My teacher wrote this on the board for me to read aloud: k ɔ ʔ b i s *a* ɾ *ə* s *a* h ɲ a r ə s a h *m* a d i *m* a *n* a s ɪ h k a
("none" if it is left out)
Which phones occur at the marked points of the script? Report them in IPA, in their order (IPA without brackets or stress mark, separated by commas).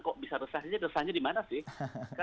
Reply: a, ə, a, ɲ, m, n